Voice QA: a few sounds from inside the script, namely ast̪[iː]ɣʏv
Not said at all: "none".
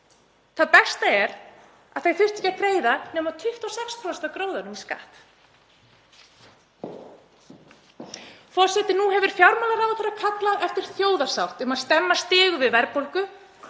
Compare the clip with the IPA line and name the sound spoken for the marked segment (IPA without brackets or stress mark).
ɪː